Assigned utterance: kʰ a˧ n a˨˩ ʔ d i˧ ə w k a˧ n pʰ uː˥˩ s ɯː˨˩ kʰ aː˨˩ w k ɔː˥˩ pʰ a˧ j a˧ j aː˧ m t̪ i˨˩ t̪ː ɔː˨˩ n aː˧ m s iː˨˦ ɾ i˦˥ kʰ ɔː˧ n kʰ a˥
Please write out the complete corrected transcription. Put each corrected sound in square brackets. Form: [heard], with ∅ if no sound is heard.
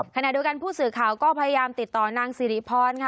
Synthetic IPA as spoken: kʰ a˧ n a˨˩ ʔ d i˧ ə w k a˧ n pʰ uː˥˩ s ɯː˨˩ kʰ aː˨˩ w k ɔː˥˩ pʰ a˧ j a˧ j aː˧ m t̪ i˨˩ t̪ː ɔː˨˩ n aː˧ [ŋ] s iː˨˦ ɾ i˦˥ [pʰ] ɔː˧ n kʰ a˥